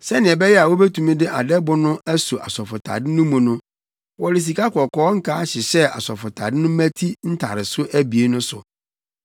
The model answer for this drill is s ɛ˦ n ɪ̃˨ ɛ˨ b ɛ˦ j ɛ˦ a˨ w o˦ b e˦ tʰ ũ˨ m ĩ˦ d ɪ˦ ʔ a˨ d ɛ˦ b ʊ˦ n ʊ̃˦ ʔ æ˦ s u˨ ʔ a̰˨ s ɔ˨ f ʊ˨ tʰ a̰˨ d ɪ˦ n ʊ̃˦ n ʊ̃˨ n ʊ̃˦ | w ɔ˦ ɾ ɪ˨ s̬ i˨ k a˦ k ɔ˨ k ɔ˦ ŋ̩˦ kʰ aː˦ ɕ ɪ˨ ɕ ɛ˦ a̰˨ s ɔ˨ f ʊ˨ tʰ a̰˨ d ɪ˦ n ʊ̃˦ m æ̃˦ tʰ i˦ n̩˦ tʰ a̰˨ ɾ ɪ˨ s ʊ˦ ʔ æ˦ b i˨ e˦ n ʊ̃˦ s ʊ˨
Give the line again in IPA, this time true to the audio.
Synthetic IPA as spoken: s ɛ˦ n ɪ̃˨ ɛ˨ b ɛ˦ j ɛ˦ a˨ w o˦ b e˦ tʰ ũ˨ m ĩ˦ d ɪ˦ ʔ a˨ d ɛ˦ b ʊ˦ n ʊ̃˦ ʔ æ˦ s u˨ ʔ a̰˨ s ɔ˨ f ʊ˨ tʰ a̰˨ d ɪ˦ n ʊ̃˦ m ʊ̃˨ n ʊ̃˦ | w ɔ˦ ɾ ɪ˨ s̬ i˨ k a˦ k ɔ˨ k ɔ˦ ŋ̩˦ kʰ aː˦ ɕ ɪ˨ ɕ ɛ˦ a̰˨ s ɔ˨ f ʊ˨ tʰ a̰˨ d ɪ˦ n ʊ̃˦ m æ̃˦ tʰ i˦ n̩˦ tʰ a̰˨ ɾ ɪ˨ s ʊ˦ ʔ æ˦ b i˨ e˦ n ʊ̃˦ s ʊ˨